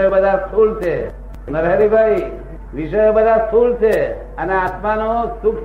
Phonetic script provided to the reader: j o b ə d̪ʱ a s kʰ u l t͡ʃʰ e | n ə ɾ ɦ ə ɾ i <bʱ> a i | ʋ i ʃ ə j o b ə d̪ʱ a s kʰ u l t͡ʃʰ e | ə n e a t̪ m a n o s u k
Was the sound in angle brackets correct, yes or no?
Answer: yes